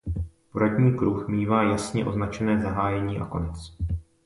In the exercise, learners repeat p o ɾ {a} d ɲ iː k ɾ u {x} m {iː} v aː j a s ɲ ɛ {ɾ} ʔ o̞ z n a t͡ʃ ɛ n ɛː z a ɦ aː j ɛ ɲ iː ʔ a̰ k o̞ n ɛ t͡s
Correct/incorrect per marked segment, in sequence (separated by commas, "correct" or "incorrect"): correct, correct, correct, incorrect